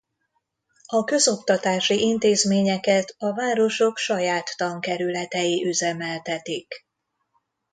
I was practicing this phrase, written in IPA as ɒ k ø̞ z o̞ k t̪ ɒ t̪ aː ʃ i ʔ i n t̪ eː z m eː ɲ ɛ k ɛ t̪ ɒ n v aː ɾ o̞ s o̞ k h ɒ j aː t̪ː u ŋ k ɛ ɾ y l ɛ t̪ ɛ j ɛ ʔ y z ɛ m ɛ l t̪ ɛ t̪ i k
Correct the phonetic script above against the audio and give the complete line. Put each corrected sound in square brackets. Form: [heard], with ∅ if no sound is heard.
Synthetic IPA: ɒ k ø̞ z o̞ k t̪ ɒ t̪ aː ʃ i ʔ i n t̪ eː z m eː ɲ ɛ k ɛ t̪ ɒ [∅] v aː ɾ o̞ [ʃ] o̞ k [ʃ] ɒ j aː t̪ː [ɒ] ŋ k ɛ ɾ y l ɛ t̪ ɛ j [i] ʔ y z ɛ m ɛ l t̪ ɛ t̪ i k